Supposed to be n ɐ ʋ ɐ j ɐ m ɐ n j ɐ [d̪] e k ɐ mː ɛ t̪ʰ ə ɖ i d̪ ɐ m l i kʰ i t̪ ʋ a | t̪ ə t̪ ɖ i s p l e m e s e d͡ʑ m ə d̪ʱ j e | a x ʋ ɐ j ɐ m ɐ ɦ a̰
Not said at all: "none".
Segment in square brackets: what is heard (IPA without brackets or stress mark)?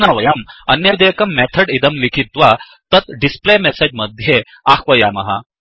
d̪